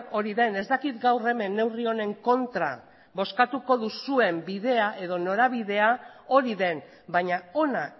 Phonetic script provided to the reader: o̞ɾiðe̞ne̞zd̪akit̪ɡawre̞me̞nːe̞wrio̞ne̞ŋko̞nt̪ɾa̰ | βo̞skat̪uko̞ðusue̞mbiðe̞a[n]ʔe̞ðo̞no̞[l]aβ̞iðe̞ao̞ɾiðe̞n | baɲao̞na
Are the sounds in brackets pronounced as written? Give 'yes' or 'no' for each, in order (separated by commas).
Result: no, no